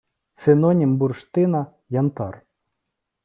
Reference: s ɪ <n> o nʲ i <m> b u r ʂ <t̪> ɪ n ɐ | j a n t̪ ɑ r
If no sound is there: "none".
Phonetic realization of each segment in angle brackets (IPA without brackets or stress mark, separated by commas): n, m, t̪